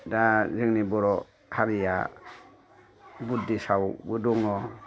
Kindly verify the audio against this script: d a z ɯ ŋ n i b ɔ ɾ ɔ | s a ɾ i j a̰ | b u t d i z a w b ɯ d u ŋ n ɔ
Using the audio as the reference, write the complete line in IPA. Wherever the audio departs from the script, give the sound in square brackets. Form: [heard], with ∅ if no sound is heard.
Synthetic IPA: d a z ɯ ŋ n i b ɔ ɾ ɔ | [h] a ɾ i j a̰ | b u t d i [s] a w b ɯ d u ŋ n ɔ